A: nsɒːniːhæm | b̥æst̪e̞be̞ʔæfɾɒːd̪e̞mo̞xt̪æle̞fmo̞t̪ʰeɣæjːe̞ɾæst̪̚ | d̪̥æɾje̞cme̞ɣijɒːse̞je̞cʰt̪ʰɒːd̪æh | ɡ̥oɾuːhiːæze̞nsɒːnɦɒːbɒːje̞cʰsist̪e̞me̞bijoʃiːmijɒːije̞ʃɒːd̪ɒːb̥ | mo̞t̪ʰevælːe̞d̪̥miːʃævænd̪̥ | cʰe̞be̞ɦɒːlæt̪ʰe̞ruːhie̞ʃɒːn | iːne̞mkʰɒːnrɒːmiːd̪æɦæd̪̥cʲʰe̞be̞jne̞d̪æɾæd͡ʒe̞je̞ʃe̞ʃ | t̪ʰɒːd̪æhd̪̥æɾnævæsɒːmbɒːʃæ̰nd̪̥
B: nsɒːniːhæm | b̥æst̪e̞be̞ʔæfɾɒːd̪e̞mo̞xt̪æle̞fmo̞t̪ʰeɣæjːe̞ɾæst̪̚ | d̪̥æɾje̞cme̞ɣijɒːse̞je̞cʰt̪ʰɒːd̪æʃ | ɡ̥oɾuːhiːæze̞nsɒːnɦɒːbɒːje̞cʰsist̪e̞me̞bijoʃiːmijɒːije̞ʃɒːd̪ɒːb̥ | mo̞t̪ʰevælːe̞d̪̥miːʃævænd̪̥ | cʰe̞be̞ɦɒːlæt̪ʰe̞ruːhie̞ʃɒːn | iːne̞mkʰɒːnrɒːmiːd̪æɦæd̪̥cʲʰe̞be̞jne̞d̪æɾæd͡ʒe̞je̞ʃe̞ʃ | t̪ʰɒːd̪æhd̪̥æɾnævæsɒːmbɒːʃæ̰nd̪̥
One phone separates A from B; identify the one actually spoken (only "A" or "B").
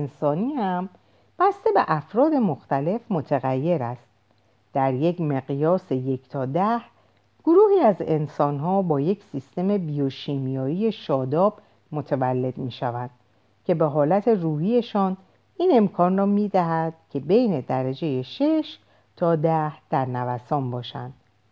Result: A